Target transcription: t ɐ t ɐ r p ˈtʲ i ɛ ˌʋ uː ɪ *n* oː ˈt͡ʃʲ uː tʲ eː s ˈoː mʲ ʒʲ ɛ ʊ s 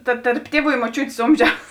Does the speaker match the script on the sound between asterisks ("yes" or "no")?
no